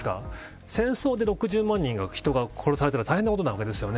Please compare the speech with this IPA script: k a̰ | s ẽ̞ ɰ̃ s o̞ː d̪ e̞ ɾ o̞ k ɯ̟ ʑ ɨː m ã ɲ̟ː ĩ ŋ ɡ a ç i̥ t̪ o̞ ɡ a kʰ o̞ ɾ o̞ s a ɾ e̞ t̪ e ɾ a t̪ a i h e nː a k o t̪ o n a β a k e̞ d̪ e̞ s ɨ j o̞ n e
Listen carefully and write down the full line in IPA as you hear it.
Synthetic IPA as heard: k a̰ | s ẽ̞ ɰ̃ s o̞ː d̪ e̞ ɾ o̞ k ɯ̟ ʑ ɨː m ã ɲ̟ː ĩ ŋ ɡ a ç i̥ t̪ o̞ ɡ a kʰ o̞ ɾ o̞ s a ɾ e̞ t̪ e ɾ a t̪ a i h e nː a k o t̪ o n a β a k e̞ d̪ e̞ s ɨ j o̞ n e